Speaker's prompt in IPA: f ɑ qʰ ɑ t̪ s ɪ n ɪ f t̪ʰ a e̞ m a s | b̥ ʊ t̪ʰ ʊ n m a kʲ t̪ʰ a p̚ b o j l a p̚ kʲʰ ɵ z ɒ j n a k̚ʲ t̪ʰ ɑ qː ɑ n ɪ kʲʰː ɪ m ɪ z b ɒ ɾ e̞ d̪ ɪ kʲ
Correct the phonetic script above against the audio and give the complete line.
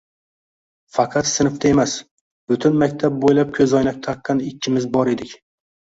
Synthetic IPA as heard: f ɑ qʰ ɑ t̪ s ɪ n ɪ f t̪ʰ a e̞ m a s | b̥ ʊ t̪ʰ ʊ n m a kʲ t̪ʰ a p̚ b o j l a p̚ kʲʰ ɵ z ɒ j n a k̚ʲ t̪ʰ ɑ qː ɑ n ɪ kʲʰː ɪ m ɪ z b ɒ ɾ e̞ d̪ ɪ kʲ